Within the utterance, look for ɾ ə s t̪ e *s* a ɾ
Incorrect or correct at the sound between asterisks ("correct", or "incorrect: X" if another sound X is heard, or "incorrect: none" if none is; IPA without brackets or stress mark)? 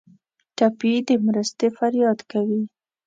incorrect: f